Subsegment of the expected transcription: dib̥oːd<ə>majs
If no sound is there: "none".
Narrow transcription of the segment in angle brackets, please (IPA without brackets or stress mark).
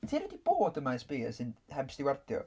ə